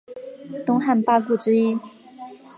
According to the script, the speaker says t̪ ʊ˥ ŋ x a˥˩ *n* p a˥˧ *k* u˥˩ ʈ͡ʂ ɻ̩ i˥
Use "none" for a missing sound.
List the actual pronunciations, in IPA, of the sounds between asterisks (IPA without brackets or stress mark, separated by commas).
n, k